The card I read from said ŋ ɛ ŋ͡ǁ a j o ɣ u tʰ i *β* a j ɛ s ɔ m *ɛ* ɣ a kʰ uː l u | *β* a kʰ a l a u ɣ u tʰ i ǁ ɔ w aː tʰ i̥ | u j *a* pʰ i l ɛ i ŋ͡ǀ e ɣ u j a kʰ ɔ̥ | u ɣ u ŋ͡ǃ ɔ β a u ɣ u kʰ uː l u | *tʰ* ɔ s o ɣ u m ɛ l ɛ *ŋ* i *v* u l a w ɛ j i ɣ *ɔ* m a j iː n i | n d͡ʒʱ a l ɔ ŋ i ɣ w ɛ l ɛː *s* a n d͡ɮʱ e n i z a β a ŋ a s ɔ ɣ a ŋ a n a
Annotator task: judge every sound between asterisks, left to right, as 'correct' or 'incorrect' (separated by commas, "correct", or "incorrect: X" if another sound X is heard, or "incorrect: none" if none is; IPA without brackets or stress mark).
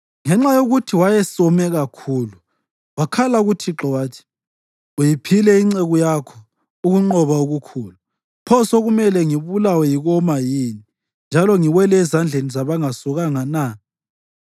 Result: incorrect: w, correct, incorrect: w, incorrect: i, incorrect: pʰ, correct, incorrect: β, correct, incorrect: z